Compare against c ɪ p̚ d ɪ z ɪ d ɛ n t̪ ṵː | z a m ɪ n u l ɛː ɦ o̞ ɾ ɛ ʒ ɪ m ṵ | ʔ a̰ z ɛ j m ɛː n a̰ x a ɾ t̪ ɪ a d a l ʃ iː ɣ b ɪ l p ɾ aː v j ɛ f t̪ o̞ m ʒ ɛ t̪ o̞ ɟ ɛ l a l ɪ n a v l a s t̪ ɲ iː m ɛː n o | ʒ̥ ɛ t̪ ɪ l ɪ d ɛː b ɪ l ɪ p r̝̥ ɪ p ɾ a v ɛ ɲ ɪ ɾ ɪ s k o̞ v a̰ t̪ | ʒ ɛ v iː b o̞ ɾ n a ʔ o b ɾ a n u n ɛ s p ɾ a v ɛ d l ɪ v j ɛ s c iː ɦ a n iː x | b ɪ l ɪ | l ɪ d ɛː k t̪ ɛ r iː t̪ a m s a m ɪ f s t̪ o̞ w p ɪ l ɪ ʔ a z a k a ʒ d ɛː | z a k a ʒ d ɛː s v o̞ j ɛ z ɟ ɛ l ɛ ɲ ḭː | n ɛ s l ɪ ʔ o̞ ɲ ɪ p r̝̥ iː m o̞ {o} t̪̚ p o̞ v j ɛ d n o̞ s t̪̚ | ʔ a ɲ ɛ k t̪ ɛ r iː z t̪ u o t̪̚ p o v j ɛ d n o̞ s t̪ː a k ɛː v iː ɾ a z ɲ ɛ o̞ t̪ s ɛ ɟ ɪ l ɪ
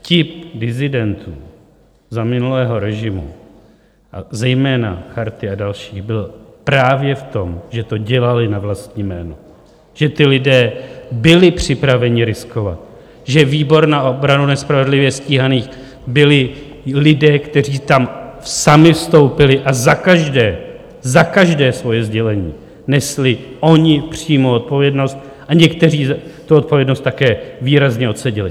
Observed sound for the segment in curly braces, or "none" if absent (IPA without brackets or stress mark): o